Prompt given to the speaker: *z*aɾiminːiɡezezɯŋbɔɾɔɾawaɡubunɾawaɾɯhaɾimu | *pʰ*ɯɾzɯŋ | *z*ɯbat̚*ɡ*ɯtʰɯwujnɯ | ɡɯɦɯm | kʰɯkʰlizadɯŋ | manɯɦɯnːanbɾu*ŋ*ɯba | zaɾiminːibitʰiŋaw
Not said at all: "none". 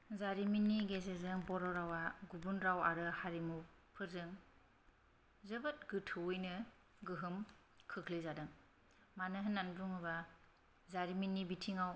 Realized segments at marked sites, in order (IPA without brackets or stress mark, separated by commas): z, pʰ, z, ɡ, ŋ